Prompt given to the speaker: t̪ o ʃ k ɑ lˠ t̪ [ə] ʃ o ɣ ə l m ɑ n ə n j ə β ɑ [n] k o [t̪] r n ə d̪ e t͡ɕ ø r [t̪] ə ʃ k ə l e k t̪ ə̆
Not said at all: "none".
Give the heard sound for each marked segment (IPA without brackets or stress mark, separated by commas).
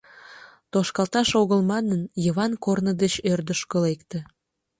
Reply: ɑ, n, none, d̪